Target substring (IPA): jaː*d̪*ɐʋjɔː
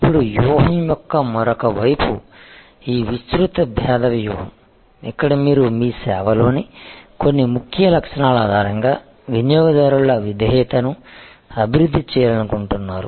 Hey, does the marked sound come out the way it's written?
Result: yes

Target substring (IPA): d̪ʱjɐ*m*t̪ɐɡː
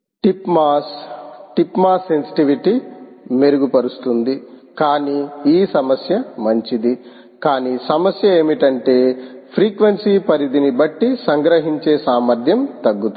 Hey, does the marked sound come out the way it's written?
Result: yes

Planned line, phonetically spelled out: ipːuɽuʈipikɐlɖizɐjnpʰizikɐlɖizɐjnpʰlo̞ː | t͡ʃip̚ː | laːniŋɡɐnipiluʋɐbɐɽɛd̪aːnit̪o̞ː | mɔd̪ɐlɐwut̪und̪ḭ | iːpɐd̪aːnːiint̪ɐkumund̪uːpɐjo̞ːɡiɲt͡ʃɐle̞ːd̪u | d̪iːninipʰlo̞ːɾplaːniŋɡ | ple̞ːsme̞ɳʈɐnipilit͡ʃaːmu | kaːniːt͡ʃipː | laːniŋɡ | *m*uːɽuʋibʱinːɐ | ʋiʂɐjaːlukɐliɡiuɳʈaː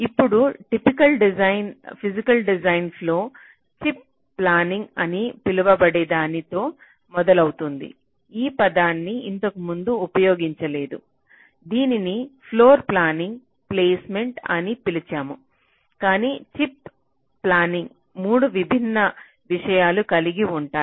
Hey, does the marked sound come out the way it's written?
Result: yes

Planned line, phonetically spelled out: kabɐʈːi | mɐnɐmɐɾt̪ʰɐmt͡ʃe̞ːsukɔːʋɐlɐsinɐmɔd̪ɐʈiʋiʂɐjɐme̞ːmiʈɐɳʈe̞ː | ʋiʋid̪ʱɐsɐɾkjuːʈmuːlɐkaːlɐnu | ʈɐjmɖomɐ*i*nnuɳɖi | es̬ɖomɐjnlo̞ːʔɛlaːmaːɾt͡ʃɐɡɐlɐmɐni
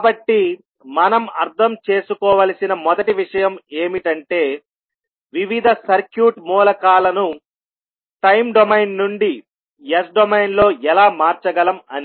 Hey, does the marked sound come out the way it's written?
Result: no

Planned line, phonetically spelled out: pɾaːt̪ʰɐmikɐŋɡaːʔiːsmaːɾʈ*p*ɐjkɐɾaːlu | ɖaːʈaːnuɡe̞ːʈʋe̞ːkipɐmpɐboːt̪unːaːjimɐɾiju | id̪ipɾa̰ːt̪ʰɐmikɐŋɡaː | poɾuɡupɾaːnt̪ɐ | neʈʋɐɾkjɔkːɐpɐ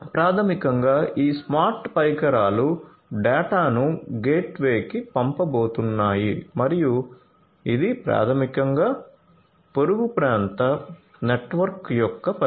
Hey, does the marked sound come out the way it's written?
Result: yes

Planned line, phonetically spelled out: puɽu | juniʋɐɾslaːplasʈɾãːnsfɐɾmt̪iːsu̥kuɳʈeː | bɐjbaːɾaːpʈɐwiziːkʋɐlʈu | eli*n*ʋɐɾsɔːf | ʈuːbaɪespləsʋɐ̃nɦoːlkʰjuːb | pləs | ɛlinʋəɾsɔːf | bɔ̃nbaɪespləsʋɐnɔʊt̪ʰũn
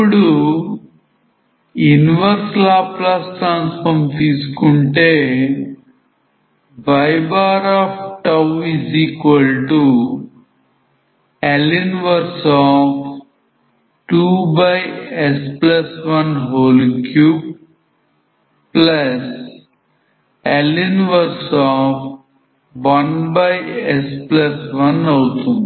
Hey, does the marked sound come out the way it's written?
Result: yes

